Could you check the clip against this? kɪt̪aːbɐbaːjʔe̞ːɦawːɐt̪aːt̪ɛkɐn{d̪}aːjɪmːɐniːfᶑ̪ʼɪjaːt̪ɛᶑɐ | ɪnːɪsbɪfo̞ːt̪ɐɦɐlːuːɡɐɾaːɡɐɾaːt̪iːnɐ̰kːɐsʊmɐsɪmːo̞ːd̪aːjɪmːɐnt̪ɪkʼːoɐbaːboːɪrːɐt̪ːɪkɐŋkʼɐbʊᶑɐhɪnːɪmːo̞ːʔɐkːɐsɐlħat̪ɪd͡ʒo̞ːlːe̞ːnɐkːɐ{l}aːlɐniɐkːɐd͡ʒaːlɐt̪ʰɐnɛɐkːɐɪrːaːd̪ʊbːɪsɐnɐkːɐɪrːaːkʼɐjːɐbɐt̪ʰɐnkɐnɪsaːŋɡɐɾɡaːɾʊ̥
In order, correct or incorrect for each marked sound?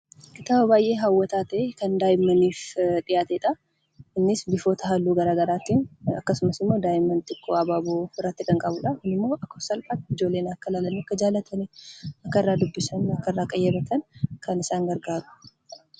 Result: correct, correct

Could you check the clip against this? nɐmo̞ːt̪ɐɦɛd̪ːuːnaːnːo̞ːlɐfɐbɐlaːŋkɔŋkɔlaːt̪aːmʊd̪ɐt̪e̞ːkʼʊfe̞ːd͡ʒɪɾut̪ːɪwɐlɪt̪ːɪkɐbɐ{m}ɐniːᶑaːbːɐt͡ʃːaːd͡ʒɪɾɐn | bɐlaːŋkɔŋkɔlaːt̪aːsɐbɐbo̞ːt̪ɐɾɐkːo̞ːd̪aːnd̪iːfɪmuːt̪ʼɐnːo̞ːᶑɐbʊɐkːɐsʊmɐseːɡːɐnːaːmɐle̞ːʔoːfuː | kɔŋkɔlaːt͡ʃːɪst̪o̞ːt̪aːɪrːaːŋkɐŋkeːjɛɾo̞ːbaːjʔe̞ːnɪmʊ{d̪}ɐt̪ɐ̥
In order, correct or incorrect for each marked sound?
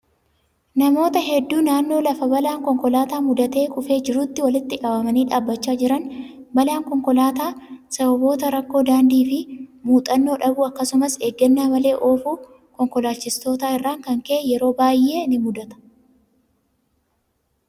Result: correct, correct

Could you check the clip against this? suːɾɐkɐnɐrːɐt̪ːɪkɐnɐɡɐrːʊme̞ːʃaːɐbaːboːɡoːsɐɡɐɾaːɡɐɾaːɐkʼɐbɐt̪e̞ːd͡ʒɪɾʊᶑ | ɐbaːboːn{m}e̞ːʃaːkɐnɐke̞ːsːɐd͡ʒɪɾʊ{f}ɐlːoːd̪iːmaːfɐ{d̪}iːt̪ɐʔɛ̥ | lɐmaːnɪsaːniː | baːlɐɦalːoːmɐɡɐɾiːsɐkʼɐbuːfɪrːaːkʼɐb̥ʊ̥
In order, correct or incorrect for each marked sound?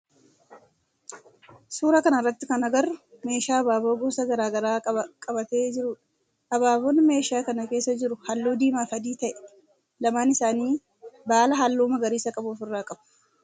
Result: correct, incorrect, correct

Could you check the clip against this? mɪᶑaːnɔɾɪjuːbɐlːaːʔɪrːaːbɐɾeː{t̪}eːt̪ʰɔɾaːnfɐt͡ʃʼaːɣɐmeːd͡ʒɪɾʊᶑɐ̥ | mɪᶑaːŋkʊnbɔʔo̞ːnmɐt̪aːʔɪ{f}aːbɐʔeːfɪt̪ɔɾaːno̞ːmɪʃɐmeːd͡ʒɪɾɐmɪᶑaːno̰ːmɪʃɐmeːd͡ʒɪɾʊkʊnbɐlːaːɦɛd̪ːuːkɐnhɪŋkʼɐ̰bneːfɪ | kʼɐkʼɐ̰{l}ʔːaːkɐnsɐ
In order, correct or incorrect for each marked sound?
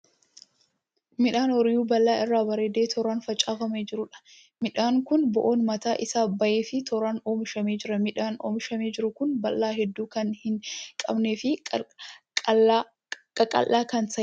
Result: incorrect, incorrect, correct

